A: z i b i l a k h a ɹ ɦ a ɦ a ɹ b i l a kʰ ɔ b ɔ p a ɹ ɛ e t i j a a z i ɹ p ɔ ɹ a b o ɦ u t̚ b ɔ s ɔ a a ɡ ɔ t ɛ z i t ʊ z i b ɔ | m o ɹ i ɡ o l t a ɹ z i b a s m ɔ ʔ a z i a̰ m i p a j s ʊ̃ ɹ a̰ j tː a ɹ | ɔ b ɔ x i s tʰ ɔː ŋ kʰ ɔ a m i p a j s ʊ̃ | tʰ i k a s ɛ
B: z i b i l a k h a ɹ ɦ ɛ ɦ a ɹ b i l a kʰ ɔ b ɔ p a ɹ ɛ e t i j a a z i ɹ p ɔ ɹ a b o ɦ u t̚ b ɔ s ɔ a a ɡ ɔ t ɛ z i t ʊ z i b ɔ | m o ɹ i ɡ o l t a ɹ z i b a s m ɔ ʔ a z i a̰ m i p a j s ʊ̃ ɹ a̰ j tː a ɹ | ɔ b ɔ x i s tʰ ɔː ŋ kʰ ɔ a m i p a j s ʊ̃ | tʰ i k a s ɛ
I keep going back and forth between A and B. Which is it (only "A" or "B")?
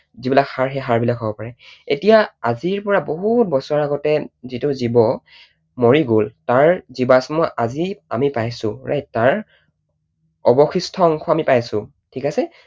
B